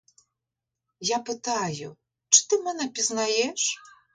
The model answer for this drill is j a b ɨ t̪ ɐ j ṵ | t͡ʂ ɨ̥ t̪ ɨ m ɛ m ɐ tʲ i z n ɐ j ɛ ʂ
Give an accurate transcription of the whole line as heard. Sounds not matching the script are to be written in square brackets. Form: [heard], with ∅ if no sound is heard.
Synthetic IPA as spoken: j a [p] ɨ t̪ [a] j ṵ | t͡ʂ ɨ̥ t̪ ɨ m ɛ [n] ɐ [pʲ] i z n [a] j ɛ ʂ